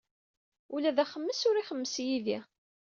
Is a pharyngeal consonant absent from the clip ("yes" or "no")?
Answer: yes